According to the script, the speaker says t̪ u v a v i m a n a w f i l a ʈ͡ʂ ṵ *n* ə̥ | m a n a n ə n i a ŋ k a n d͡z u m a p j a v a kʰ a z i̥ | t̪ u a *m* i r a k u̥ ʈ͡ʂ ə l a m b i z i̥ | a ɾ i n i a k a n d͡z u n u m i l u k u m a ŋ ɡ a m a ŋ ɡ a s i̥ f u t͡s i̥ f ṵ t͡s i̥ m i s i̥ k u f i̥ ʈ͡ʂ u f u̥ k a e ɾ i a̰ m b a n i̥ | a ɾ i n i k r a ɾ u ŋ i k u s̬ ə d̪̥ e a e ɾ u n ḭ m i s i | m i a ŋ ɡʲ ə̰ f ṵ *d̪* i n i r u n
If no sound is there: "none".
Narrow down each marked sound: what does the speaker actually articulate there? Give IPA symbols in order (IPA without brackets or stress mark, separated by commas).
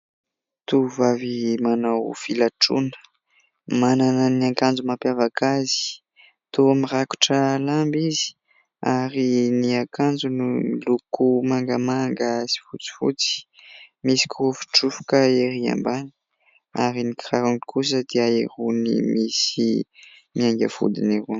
n, m, d̪